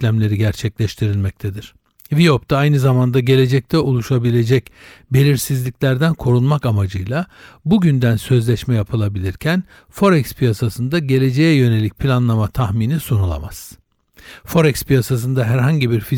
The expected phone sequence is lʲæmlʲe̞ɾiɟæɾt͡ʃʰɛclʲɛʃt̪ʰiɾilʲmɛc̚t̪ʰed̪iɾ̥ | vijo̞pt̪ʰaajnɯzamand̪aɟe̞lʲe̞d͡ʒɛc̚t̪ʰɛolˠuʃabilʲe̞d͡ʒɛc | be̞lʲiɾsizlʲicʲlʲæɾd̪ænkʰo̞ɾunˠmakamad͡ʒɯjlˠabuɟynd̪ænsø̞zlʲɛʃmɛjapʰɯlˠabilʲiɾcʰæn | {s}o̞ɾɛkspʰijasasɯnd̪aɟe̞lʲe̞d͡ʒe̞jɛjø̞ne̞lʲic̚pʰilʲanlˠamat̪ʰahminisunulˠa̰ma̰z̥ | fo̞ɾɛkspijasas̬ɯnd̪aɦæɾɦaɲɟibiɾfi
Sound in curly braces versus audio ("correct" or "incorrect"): incorrect